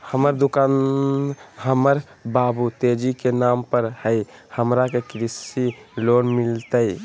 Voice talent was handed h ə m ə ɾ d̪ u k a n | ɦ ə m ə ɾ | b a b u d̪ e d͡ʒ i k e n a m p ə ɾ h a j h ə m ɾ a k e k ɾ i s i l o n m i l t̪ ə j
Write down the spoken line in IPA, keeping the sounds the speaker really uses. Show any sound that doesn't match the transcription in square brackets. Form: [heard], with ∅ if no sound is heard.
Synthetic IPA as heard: h ə m ə ɾ d̪ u k a n | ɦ ə m ə ɾ | b a b u [t̪] e d͡ʒ i k e n a m p ə ɾ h [ə] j h ə m ɾ a k e k ɾ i s i l o n m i l t̪ ə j